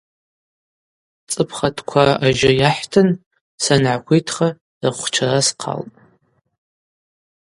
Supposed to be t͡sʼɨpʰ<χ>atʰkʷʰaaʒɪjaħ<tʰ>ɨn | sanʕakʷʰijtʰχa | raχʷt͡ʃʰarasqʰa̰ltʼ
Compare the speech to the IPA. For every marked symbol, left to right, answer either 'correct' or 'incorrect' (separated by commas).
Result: correct, correct